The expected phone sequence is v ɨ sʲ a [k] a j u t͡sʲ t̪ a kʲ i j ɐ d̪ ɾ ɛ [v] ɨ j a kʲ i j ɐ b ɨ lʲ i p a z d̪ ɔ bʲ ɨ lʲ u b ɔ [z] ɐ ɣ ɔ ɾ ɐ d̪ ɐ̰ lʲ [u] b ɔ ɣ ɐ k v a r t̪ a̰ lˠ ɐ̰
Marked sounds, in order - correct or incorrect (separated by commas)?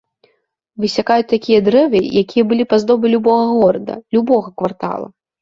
correct, correct, incorrect, correct